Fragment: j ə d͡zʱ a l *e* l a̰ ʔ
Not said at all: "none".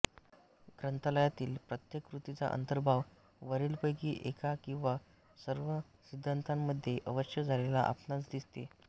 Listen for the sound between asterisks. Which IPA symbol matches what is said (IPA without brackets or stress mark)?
e